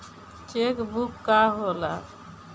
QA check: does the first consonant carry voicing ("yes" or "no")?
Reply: no